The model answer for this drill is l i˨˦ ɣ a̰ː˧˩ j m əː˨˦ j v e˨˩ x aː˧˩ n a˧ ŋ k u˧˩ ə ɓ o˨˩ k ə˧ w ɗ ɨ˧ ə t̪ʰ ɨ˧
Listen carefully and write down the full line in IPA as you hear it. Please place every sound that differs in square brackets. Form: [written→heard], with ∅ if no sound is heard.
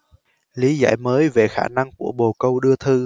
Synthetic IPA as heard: l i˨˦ [ɣ→z] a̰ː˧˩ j m əː˨˦ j v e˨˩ x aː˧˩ n a˧ ŋ k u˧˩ ə ɓ o˨˩ k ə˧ w ɗ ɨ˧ ə t̪ʰ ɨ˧

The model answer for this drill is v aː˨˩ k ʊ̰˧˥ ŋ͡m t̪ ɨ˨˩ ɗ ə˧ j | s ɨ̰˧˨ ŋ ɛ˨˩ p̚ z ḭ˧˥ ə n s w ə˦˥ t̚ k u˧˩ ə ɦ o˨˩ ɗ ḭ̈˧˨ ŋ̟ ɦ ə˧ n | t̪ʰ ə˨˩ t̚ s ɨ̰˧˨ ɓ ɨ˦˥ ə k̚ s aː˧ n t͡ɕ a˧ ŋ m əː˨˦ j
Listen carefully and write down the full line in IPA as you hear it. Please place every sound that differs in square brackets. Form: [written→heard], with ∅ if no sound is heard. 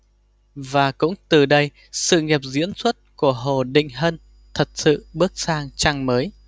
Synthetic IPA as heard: v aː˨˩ k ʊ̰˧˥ ŋ͡m t̪ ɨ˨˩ ɗ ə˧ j | s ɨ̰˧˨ ŋ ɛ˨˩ p̚ z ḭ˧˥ ə n s w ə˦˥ t̚ k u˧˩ ə ɦ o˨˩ ɗ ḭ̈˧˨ ŋ̟ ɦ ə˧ n | t̪ʰ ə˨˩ t̚ s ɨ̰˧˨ ɓ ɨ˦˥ ə k̚ s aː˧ [n→ŋ] t͡ɕ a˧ ŋ m əː˨˦ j

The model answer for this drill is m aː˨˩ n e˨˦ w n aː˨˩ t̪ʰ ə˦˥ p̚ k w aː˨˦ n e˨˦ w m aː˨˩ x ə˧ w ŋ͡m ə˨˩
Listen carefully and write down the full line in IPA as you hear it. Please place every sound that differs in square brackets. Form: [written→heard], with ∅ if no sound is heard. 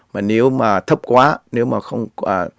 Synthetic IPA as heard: m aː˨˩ n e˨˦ w [n→m] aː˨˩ t̪ʰ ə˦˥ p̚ k w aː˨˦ n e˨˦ w m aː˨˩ x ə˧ w ŋ͡m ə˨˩

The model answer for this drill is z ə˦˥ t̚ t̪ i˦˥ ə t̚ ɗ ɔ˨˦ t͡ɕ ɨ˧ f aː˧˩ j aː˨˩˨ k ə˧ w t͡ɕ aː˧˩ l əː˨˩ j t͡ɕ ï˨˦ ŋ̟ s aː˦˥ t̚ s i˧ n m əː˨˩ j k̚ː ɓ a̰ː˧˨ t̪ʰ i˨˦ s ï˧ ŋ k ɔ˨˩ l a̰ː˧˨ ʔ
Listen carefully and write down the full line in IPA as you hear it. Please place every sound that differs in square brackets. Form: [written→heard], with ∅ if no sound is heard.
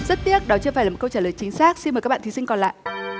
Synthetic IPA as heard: z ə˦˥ t̚ t̪ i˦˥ ə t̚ ɗ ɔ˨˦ t͡ɕ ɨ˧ f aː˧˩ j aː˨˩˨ k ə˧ w t͡ɕ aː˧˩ l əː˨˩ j t͡ɕ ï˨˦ ŋ̟ s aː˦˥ [t̚→k̚] s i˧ n m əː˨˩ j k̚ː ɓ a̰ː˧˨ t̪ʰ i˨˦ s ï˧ ŋ k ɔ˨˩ l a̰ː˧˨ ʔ

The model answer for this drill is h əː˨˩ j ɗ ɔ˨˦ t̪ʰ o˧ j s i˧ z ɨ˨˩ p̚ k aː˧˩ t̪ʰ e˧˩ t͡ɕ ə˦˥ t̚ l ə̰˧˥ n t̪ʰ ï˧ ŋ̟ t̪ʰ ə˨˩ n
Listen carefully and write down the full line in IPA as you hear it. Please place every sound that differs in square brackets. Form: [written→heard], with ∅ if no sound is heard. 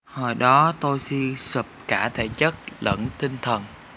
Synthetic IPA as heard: h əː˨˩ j ɗ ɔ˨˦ [t̪ʰ→t̪] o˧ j s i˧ [z→s] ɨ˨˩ p̚ k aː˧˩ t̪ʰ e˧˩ t͡ɕ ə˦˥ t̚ l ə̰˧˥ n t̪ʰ ï˧ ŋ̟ t̪ʰ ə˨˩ n

